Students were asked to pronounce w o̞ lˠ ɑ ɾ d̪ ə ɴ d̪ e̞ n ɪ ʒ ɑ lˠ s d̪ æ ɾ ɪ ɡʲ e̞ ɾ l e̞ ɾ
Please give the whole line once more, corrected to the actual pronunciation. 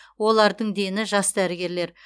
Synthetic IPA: w o̞ lˠ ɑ ɾ d̪ ə ɴ d̪ e̞ n ɪ ʒ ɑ s d̪ æ ɾ ɪ ɡʲ e̞ ɾ l e̞ ɾ